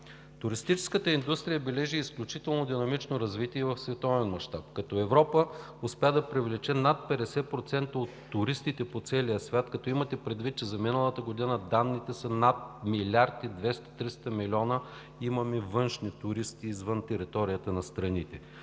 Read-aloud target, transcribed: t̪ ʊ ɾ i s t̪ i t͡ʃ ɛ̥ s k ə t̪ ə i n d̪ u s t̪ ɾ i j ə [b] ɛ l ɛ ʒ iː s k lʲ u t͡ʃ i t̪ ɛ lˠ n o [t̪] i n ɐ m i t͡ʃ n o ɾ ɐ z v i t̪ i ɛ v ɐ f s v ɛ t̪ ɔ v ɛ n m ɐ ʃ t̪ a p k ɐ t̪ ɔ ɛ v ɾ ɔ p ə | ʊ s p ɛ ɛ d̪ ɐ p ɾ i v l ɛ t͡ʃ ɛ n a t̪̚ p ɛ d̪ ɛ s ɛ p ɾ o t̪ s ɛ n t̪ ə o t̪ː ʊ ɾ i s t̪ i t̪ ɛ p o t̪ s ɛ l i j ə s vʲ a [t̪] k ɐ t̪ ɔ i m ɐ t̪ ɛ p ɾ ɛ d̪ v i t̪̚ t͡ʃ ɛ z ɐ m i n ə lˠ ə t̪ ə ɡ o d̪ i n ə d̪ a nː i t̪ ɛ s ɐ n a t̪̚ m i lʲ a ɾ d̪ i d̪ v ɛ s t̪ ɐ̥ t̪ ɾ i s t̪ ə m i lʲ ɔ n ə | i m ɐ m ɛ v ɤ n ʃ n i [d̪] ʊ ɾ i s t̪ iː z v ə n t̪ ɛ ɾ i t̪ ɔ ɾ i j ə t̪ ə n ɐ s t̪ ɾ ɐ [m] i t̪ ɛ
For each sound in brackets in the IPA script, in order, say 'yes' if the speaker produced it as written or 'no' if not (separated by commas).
yes, no, yes, no, no